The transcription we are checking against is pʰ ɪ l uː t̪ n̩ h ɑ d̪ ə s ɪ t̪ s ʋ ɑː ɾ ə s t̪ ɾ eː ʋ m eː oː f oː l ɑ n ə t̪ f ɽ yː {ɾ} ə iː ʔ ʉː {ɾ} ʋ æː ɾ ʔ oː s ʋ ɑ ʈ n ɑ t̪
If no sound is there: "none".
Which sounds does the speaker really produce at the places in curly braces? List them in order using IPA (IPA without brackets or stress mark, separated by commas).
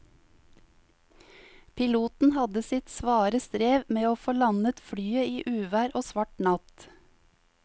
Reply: none, none